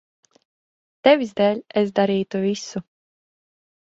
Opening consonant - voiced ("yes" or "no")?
no